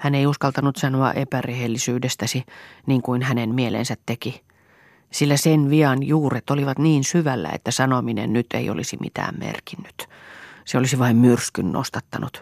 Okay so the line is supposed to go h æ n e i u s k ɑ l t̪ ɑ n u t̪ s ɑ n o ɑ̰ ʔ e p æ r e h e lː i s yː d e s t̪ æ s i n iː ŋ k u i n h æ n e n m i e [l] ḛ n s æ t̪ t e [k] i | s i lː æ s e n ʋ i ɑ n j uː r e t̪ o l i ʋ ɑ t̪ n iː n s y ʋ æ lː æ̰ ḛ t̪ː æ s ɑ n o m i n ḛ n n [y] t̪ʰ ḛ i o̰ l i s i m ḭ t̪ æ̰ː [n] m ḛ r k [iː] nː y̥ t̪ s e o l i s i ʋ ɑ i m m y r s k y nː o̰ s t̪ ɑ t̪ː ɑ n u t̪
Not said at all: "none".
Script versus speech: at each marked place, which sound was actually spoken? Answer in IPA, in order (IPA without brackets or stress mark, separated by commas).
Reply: l, k, y, m, i